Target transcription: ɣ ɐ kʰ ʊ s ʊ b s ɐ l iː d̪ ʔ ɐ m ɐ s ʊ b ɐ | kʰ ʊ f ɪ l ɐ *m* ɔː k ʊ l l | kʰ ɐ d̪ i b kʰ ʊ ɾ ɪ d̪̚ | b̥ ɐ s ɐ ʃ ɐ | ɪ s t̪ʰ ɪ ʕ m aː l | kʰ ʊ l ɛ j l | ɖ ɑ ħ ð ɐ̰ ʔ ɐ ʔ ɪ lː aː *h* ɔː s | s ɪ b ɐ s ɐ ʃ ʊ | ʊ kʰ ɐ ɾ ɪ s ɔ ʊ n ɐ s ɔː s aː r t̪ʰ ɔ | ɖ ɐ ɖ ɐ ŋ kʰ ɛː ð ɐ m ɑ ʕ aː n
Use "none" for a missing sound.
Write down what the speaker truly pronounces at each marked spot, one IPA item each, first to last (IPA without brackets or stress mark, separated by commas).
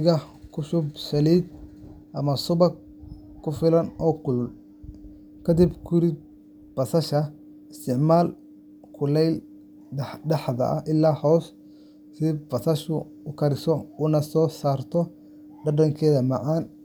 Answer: n, h